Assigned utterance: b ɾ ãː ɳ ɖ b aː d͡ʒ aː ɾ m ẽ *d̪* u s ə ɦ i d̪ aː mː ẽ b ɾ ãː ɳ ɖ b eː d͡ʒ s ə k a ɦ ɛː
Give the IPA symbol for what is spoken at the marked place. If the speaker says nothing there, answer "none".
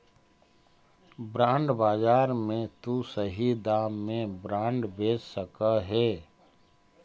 t̪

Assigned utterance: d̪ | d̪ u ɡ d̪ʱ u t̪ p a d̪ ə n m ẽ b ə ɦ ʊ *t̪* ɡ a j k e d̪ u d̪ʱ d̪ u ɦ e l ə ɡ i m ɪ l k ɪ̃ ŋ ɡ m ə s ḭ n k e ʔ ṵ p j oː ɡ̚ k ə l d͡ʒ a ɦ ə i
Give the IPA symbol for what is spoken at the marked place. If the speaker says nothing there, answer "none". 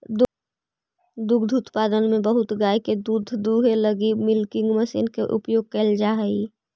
t̪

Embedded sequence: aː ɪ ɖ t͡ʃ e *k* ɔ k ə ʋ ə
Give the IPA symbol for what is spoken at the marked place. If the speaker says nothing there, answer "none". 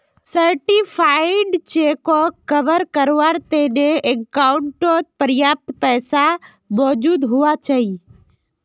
k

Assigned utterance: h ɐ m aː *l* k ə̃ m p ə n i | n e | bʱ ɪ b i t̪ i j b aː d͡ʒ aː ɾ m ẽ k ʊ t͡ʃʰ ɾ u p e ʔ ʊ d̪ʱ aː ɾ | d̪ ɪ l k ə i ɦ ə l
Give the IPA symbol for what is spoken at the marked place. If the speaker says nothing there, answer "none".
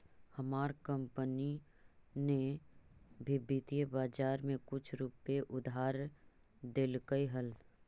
ɾ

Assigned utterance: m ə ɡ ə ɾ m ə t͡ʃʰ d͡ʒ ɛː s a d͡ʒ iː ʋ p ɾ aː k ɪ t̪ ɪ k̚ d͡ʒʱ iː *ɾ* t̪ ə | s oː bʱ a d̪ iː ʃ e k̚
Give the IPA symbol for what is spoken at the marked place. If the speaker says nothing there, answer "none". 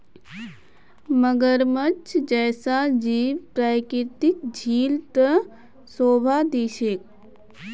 l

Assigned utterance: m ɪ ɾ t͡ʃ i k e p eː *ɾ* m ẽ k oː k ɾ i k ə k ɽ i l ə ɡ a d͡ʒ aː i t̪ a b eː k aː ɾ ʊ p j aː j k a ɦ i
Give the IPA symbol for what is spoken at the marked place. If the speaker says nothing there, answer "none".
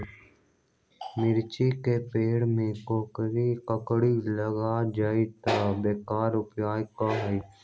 ɽ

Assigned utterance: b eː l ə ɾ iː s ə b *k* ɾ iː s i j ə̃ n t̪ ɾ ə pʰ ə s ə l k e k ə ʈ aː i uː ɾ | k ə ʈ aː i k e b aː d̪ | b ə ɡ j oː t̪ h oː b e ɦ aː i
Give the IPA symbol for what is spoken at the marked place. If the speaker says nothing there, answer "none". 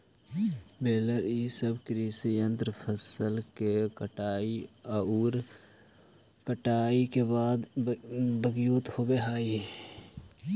k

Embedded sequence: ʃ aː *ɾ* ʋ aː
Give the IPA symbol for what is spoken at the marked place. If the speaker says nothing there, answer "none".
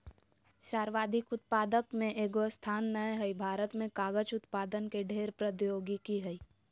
ɾ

